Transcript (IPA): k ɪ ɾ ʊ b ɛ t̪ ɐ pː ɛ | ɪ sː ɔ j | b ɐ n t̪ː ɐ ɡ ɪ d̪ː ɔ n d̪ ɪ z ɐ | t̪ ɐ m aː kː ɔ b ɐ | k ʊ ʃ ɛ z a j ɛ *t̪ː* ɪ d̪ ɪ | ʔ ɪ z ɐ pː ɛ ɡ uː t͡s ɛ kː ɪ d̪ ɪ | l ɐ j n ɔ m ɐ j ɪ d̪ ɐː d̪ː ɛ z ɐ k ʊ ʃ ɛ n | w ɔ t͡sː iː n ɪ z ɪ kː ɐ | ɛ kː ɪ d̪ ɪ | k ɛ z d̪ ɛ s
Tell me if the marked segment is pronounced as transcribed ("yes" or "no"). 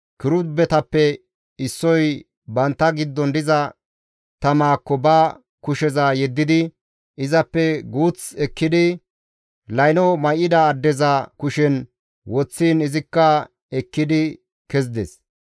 no